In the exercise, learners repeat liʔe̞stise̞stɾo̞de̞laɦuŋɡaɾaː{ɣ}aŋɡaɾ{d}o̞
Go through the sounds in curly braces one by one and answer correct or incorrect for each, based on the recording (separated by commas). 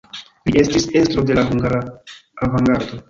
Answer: incorrect, correct